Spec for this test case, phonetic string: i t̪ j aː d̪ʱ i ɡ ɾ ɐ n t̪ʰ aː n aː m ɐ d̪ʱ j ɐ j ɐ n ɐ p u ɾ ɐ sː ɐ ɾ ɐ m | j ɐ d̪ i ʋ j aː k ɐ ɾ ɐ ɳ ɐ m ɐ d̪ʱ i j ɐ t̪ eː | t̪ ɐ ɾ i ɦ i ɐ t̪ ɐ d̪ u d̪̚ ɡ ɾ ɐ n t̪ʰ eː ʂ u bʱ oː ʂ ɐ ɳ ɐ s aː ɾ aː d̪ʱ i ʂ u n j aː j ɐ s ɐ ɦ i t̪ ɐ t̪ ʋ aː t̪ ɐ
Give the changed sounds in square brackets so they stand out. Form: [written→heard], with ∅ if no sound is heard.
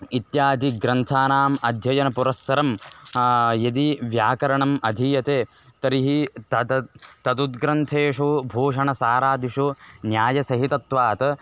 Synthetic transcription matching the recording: i t̪ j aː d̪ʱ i ɡ ɾ ɐ n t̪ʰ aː n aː m ɐ d̪ʱ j ɐ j ɐ n ɐ p u ɾ ɐ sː ɐ ɾ ɐ m | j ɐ d̪ i ʋ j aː k ɐ ɾ ɐ ɳ ɐ m ɐ d̪ʱ i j ɐ t̪ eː | t̪ ɐ ɾ i ɦ i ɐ t̪ ɐ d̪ u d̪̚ ɡ ɾ ɐ n t̪ʰ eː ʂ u bʱ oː ʂ ɐ ɳ ɐ s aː ɾ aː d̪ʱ i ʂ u n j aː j ɐ s ɐ ɦ i t̪ ɐ t̪ ʋ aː t̪ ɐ